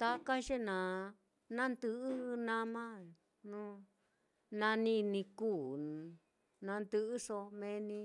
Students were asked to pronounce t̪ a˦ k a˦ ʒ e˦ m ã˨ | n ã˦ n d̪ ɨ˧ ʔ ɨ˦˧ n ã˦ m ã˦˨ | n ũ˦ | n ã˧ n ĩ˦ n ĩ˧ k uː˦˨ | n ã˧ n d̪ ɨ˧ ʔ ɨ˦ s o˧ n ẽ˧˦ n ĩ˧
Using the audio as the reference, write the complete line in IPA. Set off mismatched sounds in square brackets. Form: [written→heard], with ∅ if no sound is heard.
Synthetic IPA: t̪ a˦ k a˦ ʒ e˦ [m→n] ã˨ | n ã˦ n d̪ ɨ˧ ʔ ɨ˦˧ n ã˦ m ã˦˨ | n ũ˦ | n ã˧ n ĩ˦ n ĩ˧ k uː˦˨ | n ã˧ n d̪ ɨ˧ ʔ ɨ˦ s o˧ [n→m] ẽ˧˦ n ĩ˧